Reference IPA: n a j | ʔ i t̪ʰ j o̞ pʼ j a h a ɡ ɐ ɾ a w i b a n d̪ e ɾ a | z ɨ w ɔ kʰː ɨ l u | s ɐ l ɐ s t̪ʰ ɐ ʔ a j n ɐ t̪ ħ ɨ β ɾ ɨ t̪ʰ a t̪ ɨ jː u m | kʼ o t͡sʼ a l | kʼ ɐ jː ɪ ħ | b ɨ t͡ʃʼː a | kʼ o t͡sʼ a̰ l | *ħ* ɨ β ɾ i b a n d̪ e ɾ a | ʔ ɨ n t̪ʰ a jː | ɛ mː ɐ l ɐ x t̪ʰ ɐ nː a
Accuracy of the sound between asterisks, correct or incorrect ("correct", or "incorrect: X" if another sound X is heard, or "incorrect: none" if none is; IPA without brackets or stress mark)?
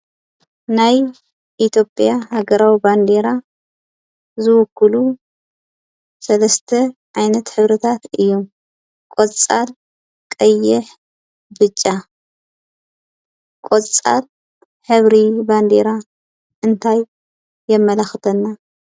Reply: correct